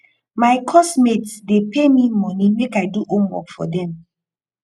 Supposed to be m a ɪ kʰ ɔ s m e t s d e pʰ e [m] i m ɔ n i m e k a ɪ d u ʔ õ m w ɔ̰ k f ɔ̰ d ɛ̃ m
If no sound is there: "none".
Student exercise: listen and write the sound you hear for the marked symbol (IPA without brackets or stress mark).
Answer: m